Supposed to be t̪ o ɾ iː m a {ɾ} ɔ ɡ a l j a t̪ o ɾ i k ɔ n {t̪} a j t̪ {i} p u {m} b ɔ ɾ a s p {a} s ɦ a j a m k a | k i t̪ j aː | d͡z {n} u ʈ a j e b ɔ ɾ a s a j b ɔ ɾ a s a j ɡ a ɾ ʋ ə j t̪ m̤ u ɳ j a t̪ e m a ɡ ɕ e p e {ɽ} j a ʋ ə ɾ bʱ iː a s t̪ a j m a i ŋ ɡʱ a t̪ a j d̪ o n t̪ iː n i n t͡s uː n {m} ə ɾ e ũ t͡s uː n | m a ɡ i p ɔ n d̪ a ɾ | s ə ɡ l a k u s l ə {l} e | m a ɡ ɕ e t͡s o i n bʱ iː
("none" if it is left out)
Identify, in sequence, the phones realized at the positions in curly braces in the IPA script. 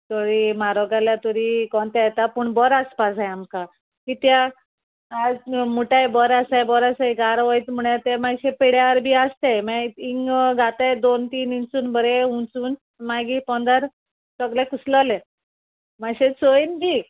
ɾ, t̪, a, ɳ, a, m, ɽ, b, l

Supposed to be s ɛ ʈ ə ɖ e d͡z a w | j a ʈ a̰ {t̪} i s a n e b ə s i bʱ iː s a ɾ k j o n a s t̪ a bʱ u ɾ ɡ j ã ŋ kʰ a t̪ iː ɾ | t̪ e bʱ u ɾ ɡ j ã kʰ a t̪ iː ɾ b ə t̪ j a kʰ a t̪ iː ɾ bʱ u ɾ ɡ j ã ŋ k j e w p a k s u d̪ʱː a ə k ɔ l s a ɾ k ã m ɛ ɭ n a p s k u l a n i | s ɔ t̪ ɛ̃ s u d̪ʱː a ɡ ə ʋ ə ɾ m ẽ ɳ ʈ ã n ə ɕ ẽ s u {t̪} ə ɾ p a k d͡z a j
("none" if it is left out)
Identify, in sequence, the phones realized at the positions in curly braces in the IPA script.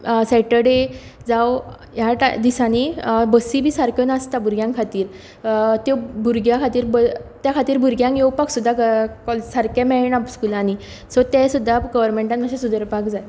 d̪, d̪

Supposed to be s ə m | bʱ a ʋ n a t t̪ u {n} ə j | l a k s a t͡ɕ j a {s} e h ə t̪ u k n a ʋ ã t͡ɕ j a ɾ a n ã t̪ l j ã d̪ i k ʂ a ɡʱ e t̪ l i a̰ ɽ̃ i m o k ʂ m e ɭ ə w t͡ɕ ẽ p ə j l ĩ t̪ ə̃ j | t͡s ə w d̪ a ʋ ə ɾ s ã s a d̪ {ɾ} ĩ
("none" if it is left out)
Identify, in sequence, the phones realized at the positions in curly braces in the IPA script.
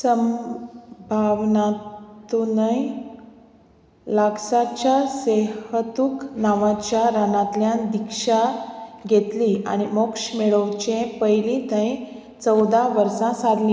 n, s, l

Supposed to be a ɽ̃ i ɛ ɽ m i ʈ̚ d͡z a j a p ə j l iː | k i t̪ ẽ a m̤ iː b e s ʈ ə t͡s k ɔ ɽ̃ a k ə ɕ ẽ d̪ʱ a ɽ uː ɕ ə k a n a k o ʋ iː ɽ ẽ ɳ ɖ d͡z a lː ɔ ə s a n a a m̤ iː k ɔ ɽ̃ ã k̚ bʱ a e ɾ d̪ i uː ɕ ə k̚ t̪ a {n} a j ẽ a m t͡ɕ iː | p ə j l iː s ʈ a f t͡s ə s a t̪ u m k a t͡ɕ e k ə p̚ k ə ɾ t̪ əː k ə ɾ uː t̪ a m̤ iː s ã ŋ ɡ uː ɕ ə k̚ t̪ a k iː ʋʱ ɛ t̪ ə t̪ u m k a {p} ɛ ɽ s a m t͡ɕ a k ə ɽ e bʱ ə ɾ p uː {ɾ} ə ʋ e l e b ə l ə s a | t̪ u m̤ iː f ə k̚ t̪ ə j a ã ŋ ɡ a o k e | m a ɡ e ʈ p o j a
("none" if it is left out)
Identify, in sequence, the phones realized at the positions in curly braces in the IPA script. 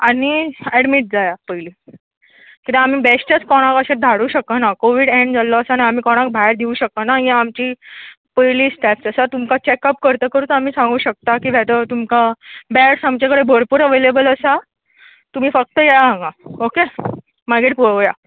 n, b, ɾ

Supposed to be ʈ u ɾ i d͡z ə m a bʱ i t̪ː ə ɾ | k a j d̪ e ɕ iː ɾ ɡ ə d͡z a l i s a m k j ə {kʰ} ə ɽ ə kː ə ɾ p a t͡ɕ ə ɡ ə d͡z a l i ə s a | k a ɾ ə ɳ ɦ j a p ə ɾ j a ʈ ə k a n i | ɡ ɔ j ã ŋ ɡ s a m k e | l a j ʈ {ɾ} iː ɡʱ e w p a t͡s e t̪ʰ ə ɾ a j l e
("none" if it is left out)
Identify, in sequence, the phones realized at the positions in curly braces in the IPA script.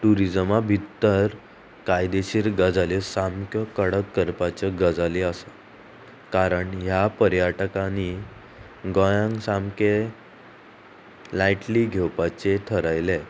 k, l

